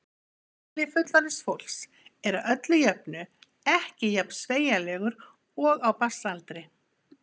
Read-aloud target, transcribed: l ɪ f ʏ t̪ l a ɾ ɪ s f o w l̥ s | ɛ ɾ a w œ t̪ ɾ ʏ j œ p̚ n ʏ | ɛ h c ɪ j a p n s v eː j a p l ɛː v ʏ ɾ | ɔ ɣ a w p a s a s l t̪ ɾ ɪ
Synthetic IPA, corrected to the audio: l ɪ f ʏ t̪ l a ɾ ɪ s f o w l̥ s | ɛ ɾ a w œ t̪ l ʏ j œ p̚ n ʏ | ɛ h c ɪ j a p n s v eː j a l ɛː ɣ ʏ ɾ | ɔ ɣ a w p a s a l t̪ ɾ ɪ